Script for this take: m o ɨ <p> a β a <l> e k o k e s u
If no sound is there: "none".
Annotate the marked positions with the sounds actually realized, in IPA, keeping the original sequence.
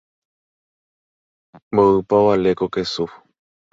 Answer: p, l

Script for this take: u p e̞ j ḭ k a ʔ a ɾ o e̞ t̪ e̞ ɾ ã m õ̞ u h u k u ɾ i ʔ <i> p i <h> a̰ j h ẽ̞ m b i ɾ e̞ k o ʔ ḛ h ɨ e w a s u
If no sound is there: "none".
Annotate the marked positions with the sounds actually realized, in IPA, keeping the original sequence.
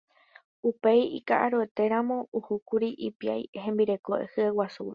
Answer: i, none

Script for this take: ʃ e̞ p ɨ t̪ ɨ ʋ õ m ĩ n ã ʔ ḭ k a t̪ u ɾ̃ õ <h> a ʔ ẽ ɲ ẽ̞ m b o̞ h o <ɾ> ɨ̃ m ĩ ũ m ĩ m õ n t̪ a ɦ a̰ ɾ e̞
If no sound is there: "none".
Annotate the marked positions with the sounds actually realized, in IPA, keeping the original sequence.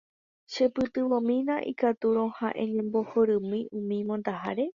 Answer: h, ɾ

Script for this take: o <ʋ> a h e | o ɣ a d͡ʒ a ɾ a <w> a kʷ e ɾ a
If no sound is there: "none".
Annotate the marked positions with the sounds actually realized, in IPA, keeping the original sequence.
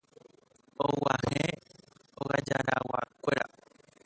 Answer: w, w

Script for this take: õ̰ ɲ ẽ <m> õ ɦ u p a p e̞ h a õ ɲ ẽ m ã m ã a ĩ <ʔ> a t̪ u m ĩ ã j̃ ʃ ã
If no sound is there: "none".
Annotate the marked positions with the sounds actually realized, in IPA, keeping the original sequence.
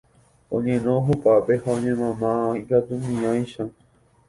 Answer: n, k

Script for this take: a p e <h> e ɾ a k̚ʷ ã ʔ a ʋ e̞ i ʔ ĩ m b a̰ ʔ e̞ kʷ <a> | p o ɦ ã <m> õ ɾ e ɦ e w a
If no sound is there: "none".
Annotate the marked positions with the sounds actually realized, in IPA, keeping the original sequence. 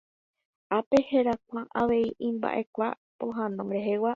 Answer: h, a, n

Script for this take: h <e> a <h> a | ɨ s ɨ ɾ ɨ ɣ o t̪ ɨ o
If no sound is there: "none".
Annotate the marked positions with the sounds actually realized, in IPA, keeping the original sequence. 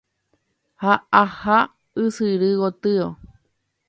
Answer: a, h

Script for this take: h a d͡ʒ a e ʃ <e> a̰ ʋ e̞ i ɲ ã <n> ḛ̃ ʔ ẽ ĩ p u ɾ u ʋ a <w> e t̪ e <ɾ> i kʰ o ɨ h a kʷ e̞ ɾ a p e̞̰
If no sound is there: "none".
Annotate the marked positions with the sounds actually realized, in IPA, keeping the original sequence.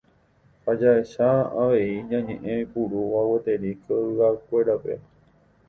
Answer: a, ɲ, w, ɾ

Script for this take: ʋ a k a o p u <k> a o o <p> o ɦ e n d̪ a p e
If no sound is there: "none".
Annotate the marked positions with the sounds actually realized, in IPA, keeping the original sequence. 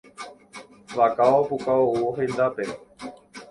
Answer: k, none

